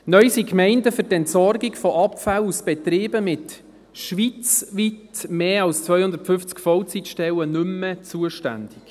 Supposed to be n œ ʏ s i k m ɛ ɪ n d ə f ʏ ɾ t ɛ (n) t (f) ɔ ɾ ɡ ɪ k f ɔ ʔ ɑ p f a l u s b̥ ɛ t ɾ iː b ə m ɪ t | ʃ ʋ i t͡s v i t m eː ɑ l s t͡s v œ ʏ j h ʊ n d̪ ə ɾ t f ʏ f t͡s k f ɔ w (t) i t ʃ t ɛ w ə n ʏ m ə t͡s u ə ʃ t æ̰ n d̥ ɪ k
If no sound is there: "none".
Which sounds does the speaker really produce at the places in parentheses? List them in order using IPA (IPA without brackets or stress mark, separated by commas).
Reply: n, s, t͡s